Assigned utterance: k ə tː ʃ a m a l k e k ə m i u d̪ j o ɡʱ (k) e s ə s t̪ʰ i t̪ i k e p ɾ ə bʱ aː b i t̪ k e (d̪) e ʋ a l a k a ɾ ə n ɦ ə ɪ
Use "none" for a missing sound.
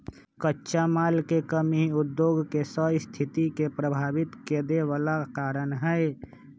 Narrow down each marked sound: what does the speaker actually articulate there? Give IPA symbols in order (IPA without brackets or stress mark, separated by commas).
k, d̪